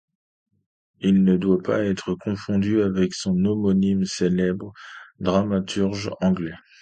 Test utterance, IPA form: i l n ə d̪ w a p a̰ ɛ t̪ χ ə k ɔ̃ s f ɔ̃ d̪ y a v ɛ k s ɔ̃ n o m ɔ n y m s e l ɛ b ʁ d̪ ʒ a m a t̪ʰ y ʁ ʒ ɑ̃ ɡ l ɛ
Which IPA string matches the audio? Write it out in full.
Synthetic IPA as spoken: i l n ə d̪ w a p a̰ ɛ t̪ χ ə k ɔ̃ f ɔ̃ d̪ y a v ɛ k s ɔ̃ n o m ɔ n i m s e l ɛ b ʁ d̪ ʁ a m a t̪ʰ y ʁ ʒ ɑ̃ ɡ l ɛ